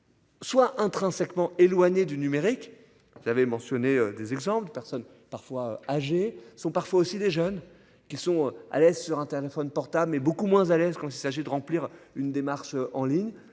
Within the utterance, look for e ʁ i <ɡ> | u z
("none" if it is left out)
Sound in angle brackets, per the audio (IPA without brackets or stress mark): k